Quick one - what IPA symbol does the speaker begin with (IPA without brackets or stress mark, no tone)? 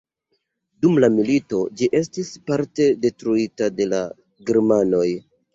d